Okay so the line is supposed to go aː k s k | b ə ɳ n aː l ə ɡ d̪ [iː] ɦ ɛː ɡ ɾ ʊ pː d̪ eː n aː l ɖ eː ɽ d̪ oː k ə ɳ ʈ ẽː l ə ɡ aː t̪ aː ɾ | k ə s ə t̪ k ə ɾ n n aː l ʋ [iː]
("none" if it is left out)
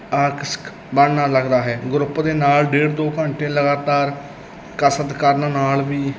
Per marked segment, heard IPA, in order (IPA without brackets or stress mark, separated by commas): aː, iː